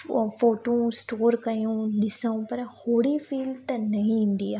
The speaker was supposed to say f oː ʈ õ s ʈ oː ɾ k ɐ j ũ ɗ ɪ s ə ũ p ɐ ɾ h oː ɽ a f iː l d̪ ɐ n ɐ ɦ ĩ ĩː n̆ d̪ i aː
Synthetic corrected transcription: f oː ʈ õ s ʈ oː ɾ k ɐ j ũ ɗ ɪ s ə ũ p ɐ ɾ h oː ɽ i f iː l t̪ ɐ n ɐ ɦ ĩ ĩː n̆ d̪ i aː